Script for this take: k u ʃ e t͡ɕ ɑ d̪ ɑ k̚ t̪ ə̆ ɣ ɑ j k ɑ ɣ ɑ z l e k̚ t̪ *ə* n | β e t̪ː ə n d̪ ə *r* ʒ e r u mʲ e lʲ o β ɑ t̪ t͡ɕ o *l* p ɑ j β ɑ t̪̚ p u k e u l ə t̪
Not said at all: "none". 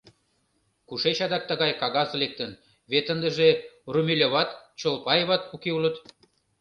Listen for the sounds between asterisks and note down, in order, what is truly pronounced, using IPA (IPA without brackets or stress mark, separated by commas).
ə, none, l